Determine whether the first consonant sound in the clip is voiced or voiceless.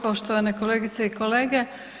voiceless